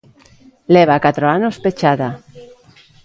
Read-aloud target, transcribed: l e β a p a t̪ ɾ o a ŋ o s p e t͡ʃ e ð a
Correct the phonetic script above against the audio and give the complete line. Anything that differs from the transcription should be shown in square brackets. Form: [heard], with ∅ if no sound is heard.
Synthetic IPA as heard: l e β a [k] a t̪ ɾ o a [n] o s p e t͡ʃ [a] ð a